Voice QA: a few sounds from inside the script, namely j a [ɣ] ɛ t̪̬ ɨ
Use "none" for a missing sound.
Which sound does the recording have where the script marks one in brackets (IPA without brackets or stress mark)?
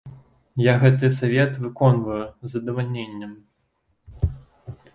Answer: ɣ